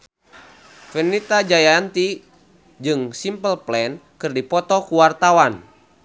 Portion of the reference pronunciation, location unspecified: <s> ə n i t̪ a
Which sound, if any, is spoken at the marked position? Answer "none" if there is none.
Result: f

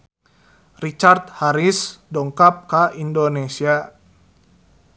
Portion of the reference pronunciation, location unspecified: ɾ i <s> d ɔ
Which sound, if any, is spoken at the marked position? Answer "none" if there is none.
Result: s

